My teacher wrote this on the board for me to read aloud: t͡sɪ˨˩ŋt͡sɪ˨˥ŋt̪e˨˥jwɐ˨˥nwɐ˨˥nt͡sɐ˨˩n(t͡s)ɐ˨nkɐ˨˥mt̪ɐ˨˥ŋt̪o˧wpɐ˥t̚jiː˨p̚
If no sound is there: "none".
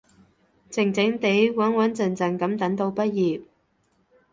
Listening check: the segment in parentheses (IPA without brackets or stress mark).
t͡s